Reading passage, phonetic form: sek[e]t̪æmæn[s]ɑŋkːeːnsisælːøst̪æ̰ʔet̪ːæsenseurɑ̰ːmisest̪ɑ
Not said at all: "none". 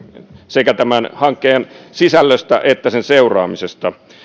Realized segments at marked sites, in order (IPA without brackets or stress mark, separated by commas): æ, h